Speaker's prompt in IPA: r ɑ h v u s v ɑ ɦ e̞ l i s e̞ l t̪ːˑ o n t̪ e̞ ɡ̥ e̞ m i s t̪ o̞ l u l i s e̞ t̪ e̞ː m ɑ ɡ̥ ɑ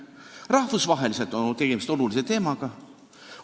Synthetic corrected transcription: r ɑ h v u s v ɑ ɦ e̞ l i s e̞ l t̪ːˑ o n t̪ e̞ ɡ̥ e̞ m i s t̪ o̞ l u l i s e̞ t̪ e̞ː m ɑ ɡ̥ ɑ

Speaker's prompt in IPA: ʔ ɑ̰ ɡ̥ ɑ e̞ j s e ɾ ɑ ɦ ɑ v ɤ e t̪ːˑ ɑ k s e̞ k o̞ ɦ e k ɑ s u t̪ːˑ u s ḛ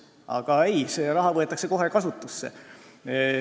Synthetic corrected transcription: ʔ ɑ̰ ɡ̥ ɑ e̞ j s e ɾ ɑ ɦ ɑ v ɤ e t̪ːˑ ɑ k s e̞ k o̞ ɦ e k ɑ s u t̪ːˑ u sː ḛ

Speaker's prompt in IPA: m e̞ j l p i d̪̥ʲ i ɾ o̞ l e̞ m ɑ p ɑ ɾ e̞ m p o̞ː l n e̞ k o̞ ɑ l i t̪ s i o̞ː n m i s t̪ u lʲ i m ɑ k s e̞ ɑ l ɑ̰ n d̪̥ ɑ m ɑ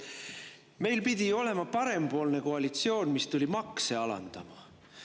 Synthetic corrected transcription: m e̞ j l p i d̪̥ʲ i o̞ l e̞ m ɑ p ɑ ɾ e̞ m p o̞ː l n e̞ k o̞ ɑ l i t̪ s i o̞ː n m i s t̪ u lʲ i m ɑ k s e̞ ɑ l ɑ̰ n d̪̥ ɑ m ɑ

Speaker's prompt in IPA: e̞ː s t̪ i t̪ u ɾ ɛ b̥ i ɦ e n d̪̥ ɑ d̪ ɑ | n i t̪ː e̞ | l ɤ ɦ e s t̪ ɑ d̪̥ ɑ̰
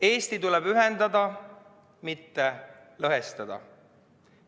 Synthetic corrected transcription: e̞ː s t̪ i t̪ u l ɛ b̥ y ɦ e n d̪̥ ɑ d̪ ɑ | m i t̪ː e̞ | l ɤ ɦ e s t̪ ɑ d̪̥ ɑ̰

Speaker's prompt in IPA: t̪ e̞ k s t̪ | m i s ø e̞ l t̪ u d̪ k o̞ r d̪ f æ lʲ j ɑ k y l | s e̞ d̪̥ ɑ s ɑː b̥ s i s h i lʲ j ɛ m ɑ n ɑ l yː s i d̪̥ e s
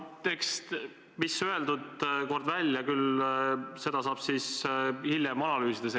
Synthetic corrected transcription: t̪ e̞ k s t̪ | m i s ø e̞ l d̪ u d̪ k o̞ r d̪ v æ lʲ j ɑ k y l | s e̞ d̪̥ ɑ s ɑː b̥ s i s h i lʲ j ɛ m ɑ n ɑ l yː s i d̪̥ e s

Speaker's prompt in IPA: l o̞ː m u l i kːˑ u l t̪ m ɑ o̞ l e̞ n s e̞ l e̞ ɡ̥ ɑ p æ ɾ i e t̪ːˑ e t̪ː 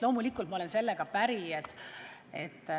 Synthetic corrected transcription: l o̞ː m u l i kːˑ u l t̪ m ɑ o̞ l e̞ n s e̞ lː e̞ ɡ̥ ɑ p æ ɾ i e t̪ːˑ e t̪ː

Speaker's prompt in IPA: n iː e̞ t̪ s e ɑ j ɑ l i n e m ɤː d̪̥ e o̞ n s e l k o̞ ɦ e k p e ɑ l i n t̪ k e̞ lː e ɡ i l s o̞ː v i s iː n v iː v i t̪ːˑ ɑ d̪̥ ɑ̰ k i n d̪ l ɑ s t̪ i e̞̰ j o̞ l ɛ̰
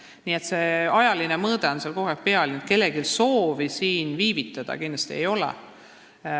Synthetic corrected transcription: n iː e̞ t̪ s e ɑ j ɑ l i n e m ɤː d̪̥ e o̞ n s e l k o̞ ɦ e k p e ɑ l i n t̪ k e̞ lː e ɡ i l s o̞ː v i s iː n v iː v i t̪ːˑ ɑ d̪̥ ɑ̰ k i n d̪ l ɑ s t̪ i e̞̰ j o̞ l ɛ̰

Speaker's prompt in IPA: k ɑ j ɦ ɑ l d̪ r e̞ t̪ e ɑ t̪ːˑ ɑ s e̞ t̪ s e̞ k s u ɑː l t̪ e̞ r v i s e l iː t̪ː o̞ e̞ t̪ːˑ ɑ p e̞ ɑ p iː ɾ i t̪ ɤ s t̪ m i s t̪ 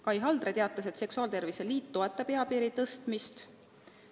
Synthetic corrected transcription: k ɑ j ɦ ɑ l d̪ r e̞ t̪ e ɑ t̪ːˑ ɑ s e̞ t̪ s e̞ k s u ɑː l t̪ e̞ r v i s e l iː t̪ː o̞ e̞ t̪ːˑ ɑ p e̞ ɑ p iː ɾ i t̪ ɤ s t̪ m i s t̪

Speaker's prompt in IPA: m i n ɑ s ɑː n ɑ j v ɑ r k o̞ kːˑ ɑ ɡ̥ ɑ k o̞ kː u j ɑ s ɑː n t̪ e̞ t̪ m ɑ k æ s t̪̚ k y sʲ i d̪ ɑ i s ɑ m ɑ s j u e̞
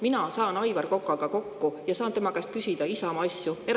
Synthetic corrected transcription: m i n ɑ s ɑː n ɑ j v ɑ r k o̞ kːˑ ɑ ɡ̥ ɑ k o̞ kː u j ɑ s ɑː n t̪ e̞ m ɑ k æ s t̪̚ k y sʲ i d̪ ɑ i s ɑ m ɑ s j u e̞

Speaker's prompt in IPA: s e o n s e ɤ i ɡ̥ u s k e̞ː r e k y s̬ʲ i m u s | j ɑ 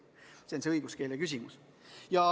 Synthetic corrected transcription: s e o n s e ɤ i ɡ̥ u s k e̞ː l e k y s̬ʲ i m u s | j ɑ

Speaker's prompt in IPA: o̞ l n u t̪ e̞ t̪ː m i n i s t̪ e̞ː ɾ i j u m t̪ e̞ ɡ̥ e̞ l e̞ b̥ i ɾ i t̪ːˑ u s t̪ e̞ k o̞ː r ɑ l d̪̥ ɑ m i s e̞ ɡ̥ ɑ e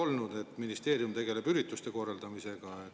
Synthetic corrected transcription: o̞ l n u d̪ e̞ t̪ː m i n i s t̪ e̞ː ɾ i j u m t̪ e̞ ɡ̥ e̞ l e̞ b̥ y ɾ i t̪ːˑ u s t̪ e̞ k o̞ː r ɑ l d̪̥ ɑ m i s e̞ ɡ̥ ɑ e

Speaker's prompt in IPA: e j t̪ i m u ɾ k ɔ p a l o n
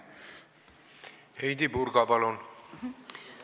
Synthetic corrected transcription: e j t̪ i b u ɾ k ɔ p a l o n

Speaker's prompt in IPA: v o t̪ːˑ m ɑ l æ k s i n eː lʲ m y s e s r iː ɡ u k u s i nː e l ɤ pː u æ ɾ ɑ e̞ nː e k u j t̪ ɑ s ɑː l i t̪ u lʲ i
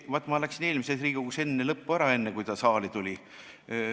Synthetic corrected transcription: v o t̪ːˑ m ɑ l æ k s i n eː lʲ m i s e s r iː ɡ u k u s e nː e l ɤ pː u æ ɾ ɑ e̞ nː e k u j t̪ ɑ s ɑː l i t̪ u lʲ i

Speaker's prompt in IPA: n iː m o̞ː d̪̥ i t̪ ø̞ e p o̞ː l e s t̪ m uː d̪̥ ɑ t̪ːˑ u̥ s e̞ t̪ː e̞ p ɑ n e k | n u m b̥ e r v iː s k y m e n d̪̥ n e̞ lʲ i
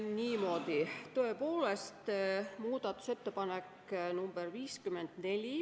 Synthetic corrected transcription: n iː m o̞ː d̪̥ i t̪ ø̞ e p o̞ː l e s t̪ m uː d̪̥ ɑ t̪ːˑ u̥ s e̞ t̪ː e̞ p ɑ n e k | n u m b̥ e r v iː s k y m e n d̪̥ n e̞ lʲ i

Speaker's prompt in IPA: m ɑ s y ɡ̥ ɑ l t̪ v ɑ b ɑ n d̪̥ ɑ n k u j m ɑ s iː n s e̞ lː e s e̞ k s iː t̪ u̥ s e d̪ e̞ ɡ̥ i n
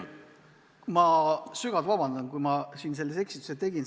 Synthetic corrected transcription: m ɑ s y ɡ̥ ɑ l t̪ v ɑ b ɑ n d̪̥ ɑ n k u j m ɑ s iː n s e̞ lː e s e̞ k s i t̪ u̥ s e t̪ e̞ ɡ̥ i n

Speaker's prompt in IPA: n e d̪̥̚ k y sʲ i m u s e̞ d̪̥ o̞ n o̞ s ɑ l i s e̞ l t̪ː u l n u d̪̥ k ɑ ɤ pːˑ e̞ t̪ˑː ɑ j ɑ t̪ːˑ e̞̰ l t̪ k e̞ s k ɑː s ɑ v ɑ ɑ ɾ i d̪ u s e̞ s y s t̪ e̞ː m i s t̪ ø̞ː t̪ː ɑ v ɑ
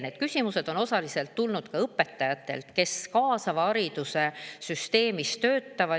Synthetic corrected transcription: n e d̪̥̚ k y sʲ i m u s e̞ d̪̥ o̞ n o̞ s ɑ l i s e̞ l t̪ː u l n u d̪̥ k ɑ ɤ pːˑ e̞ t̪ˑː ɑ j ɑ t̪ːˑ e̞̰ l t̪ k e̞ s k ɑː s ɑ v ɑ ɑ ɾ i d̪ u s e̞ s y s t̪ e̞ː m i s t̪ ø̞ː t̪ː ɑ v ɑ

